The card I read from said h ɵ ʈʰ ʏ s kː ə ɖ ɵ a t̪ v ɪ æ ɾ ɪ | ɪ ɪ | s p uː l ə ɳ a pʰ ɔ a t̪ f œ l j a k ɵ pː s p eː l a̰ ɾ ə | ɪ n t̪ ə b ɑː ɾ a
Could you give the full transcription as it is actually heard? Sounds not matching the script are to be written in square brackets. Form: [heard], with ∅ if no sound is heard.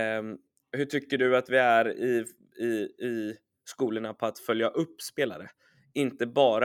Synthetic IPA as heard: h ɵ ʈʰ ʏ [∅] kː ə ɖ ɵ a t̪ v ɪ æ ɾ ɪ | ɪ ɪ | s [k] uː l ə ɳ a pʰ ɔ a t̪ f œ l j a [ʔ] ɵ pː s p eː l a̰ ɾ ə | ɪ n t̪ ə b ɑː ɾ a